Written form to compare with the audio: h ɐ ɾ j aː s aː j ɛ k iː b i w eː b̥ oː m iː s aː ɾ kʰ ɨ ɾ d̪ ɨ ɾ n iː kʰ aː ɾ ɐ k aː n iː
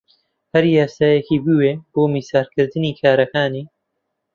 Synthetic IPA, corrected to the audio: h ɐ ɾ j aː s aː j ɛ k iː b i w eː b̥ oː m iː s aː ɾ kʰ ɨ ɾ d̪ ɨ n iː kʰ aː ɾ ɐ k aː n iː